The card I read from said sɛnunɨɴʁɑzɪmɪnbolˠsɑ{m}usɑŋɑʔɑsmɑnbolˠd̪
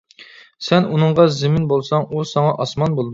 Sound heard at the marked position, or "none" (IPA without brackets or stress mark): ŋ